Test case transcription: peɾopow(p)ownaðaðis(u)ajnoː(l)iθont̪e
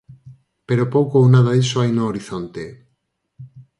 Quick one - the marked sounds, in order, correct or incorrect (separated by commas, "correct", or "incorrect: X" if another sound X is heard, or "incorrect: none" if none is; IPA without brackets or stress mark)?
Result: incorrect: k, incorrect: o, incorrect: ɾ